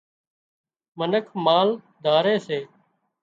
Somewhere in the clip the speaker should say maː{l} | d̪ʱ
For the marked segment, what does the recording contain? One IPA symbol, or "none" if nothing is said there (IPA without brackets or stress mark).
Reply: l